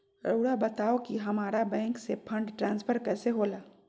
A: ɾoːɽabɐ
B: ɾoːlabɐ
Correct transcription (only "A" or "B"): A